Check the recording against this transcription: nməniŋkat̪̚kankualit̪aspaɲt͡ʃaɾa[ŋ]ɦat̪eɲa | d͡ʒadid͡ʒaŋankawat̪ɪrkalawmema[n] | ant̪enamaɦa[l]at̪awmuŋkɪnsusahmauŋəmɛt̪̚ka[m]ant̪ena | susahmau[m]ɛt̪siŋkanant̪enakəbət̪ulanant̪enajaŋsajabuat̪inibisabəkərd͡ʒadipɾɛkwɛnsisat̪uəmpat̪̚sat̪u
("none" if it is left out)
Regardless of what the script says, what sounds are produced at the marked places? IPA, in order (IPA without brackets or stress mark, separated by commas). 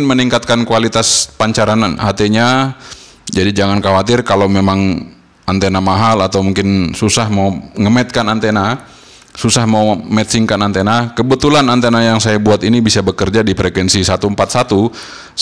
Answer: n, ŋ, l, n, m